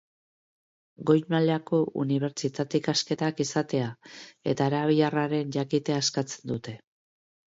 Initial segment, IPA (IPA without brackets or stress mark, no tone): ɡ